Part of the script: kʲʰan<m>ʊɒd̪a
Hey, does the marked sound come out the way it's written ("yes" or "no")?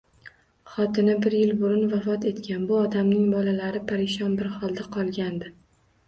no